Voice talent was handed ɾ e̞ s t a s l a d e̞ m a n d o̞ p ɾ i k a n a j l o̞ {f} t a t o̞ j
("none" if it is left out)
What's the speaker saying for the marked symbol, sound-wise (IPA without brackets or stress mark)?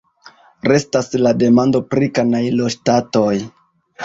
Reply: ʃ